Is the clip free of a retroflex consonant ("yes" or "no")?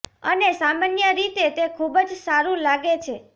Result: yes